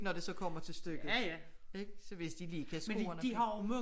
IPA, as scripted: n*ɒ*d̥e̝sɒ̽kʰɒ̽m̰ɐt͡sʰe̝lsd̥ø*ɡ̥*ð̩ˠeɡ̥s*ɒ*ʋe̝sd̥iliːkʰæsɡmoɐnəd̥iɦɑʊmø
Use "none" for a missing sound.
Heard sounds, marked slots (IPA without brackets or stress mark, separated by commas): ɒ, ɡ̥, ɒ